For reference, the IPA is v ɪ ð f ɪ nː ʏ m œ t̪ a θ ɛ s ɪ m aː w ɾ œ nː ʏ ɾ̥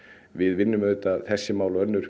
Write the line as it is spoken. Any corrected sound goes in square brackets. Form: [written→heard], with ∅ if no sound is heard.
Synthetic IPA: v ɪ ð [f→v] ɪ nː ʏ m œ t̪ a θ ɛ [s→sː] ɪ m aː w [ɾ→l] œ nː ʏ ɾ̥